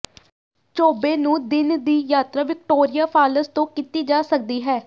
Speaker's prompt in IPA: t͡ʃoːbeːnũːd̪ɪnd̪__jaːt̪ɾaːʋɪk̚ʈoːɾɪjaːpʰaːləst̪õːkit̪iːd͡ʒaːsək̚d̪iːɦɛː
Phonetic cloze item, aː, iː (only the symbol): iː